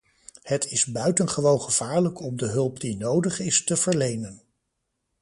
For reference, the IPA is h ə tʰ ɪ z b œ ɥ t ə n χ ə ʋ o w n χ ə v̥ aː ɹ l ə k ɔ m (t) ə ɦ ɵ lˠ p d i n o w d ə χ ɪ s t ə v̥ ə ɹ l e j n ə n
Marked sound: incorrect: d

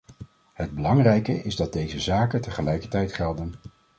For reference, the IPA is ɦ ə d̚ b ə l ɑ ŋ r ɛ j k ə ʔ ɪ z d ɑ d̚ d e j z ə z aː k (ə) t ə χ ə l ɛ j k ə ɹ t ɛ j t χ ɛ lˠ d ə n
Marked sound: correct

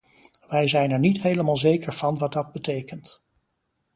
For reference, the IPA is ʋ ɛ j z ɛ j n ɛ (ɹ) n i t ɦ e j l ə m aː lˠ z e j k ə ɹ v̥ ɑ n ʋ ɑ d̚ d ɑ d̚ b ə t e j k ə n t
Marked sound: correct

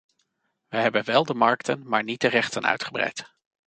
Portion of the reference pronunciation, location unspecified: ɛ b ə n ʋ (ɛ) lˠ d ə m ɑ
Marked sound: correct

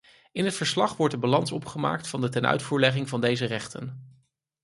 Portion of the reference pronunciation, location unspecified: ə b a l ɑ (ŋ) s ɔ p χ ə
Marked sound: incorrect: n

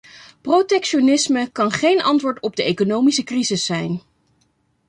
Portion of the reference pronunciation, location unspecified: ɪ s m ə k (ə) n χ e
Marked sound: incorrect: ɑ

